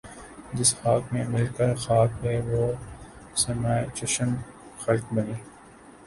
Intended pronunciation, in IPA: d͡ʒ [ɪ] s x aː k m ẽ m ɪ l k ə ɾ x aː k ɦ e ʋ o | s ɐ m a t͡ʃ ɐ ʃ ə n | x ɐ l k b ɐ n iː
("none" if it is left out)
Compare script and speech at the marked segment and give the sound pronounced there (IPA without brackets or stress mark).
ɪ